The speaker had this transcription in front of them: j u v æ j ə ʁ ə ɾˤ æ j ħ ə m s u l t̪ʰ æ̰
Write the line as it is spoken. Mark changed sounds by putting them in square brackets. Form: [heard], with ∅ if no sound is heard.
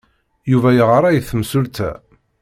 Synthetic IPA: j u v æ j ə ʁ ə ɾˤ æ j [θ] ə m s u l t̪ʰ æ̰